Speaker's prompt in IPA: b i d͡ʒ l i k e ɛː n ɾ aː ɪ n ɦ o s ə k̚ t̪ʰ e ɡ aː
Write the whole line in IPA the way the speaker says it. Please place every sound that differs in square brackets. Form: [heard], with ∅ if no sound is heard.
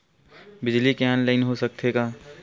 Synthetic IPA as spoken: b [ɪ] d͡ʒ l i k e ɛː n [l] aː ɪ n ɦ o s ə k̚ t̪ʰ e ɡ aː